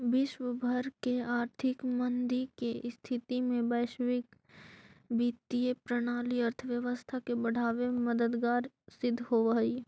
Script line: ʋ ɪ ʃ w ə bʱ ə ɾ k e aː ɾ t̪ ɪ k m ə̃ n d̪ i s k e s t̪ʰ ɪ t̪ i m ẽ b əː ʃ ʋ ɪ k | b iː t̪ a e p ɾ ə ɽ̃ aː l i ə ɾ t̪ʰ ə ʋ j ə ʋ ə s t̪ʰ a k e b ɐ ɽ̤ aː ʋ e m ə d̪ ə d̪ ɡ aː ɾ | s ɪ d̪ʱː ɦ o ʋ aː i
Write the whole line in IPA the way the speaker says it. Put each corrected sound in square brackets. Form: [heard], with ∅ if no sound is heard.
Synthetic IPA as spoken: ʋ ɪ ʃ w ə bʱ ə ɾ k e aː ɾ [t̪ʰ] ɪ k m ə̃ n d̪ i [∅] k e s t̪ʰ ɪ t̪ i m ẽ b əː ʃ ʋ ɪ k | b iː t̪ [i] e p ɾ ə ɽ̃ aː l i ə ɾ t̪ʰ ə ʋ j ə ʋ ə s t̪ʰ a k e b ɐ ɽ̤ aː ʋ e m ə d̪ ə d̪ ɡ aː ɾ | s ɪ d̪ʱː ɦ o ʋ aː i